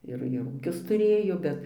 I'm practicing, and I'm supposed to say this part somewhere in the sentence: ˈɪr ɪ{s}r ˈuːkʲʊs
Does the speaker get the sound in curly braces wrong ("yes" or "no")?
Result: yes